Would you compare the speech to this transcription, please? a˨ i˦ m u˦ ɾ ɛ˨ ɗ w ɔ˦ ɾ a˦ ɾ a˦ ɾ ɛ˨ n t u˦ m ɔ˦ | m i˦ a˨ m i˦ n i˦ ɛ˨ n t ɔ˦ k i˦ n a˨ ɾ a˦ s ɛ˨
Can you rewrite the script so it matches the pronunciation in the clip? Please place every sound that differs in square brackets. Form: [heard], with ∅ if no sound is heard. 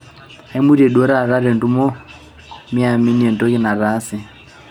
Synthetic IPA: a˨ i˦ m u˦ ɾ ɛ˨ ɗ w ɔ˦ ɾ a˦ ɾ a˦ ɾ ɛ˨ n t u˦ m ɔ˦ | m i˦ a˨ m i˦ n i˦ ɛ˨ n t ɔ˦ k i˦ n a˨ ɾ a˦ s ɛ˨